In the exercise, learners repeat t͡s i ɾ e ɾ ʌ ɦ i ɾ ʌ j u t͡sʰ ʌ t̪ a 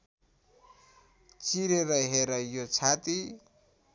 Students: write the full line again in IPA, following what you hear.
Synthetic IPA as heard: t͡s i ɾ e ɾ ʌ ɦ e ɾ ʌ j o t͡sʰ a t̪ i